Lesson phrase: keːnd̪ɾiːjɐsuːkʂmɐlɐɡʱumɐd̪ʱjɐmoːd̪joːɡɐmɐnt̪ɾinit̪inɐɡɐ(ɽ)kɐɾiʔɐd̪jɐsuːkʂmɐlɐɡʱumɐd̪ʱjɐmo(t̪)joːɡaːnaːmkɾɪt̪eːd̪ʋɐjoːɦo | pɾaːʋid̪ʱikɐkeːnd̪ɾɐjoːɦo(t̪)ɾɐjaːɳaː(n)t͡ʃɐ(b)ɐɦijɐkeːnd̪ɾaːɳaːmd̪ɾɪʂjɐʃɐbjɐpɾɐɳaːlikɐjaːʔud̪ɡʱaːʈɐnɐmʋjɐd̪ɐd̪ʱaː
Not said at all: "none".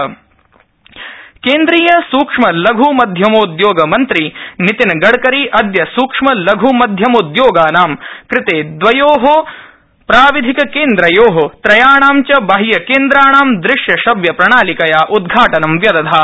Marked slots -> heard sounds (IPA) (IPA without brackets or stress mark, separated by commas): ɽ, d̪, t̪, m, b